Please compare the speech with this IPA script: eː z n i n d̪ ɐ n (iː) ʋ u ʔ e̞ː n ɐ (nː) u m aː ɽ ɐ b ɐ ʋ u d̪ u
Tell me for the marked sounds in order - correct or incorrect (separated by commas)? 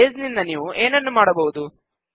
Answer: correct, correct